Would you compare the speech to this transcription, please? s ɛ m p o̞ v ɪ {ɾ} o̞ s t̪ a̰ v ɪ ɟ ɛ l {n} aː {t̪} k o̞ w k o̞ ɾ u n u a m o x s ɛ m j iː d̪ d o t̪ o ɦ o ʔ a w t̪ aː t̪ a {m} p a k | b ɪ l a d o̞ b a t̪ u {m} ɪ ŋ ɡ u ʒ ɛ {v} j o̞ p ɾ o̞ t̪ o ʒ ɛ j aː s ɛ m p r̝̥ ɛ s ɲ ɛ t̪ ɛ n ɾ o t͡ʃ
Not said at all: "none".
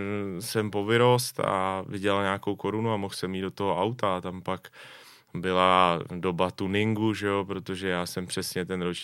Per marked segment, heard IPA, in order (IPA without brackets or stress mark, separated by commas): ɾ, ɲ, none, m, n, none